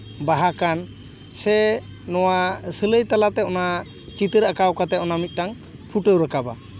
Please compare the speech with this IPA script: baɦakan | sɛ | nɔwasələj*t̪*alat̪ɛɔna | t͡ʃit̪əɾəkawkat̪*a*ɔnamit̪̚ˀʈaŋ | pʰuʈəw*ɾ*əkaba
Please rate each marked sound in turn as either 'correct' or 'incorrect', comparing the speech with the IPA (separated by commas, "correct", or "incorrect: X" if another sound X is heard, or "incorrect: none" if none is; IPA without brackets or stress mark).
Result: correct, incorrect: ɛ, correct